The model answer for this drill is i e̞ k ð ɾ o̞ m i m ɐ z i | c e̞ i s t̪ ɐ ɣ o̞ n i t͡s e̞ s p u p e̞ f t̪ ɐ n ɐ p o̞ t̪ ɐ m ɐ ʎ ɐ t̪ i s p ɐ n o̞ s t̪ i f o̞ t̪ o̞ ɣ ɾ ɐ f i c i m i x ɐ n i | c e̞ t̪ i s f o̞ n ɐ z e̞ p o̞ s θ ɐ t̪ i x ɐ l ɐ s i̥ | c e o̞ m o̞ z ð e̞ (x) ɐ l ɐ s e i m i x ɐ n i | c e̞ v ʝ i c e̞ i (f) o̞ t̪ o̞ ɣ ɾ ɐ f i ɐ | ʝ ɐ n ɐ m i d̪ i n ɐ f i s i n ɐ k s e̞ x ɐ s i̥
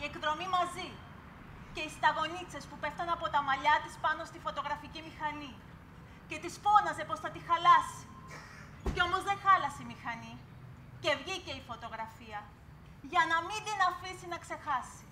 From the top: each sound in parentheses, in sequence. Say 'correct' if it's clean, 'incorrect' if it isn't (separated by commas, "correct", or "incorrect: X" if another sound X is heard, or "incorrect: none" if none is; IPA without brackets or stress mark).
correct, correct